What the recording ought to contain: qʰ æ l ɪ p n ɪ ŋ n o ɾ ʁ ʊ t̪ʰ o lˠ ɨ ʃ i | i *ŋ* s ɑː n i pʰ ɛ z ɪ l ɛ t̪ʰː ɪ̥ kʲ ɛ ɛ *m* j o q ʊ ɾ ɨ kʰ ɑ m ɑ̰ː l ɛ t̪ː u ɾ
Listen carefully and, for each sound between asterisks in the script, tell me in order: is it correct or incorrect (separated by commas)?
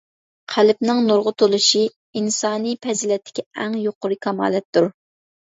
incorrect, incorrect